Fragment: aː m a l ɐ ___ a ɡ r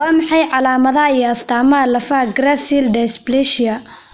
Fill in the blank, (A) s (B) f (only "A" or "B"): B